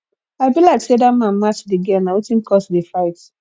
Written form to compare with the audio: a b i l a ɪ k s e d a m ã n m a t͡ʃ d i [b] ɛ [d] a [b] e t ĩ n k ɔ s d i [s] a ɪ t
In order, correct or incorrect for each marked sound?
incorrect: ɡ, incorrect: n, incorrect: w, incorrect: f

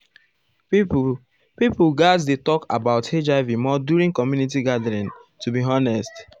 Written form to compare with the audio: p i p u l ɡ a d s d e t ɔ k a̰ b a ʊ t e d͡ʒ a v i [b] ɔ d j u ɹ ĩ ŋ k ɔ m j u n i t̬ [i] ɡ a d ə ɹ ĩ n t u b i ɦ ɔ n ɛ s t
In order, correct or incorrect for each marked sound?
incorrect: m, correct

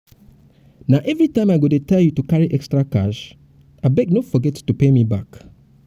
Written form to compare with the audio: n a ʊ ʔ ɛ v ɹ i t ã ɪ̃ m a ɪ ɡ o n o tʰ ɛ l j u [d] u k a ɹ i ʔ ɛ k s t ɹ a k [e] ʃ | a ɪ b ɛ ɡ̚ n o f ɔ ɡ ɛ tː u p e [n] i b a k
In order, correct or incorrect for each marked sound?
incorrect: t, incorrect: a, incorrect: m

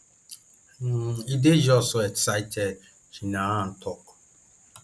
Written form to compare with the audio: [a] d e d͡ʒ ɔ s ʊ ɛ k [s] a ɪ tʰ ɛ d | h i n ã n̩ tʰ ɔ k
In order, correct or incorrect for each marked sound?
incorrect: i, correct

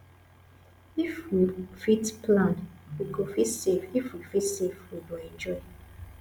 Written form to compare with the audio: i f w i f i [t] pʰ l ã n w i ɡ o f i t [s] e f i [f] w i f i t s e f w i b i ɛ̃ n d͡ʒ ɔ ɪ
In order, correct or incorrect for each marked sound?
correct, correct, correct

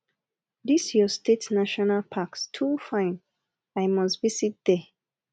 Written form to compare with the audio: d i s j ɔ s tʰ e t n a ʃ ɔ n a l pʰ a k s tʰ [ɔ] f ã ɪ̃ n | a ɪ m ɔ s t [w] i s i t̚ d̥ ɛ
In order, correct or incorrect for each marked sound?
incorrect: u, incorrect: v

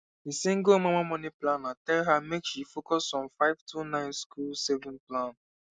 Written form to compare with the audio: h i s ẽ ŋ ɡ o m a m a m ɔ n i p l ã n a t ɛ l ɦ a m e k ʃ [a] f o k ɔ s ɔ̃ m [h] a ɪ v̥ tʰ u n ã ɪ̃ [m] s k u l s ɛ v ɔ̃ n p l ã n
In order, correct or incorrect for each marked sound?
incorrect: i, incorrect: f, incorrect: n

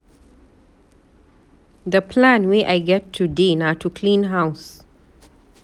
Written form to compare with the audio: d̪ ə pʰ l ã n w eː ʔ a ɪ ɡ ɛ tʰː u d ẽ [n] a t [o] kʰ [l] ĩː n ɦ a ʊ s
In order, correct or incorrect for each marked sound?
correct, incorrect: u, correct

